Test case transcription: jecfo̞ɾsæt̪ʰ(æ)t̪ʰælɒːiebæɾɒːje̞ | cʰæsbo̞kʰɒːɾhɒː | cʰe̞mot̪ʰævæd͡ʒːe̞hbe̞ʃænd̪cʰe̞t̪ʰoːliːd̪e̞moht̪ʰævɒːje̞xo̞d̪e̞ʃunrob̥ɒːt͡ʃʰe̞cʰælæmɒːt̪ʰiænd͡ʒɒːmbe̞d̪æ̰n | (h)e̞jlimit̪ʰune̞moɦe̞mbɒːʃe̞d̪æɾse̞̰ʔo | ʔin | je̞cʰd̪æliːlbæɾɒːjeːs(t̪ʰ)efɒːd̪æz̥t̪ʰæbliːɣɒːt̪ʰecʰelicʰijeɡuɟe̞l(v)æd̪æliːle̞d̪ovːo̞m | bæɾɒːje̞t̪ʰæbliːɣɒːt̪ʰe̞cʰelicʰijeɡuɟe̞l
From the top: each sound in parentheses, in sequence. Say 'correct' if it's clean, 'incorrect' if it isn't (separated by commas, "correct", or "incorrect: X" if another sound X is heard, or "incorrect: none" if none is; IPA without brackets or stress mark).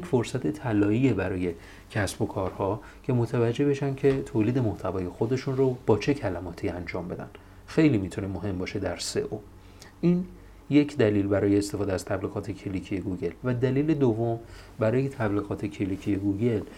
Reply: incorrect: e, incorrect: x, incorrect: t̪, correct